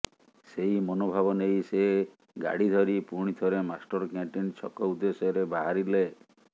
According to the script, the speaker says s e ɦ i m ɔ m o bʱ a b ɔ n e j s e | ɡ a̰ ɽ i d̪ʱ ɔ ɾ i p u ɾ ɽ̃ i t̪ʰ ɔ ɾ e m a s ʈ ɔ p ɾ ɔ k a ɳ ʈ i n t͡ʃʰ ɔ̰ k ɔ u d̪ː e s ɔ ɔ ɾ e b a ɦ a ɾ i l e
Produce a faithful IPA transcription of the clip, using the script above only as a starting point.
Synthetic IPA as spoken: s e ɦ i m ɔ n o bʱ a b ɔ n e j s e | ɡ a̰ ɽ i d̪ʱ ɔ ɾ i p u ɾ ɽ̃ i t̪ʰ ɔ ɾ e m a s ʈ ɔ ɾ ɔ k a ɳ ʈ i n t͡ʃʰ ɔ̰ k ɔ u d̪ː e s ɔ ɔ ɾ e b a ɦ a ɾ i l e